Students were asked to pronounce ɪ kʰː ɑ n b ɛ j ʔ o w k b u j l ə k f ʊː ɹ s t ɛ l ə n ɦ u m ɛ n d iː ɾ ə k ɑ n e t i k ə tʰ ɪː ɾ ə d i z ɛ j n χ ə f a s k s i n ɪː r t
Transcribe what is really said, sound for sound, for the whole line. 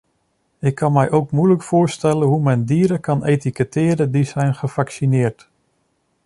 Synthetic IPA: ɪ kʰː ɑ n m ɛ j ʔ o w k m u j l ə k f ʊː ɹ s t ɛ l ə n ɦ u m ɛ n d iː ɾ ə k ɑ n e t i k ə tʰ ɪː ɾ ə d i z ɛ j n χ ə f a k s i n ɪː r t